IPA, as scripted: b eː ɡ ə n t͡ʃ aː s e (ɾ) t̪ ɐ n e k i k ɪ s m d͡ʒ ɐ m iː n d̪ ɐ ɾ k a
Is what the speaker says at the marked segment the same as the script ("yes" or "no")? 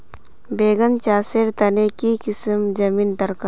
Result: yes